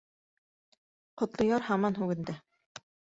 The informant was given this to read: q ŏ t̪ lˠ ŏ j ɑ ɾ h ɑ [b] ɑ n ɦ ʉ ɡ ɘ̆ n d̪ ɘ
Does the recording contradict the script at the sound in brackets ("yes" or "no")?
yes